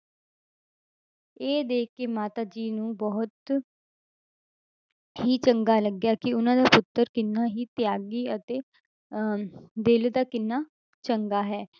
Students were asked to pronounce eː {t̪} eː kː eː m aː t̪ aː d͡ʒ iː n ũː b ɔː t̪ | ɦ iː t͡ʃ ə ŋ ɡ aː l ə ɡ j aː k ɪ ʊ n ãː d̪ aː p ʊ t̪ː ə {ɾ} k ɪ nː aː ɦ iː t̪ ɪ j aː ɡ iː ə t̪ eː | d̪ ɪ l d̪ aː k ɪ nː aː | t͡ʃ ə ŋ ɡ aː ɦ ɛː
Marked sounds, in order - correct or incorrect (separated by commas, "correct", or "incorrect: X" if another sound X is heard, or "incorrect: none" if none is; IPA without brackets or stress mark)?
incorrect: d̪, correct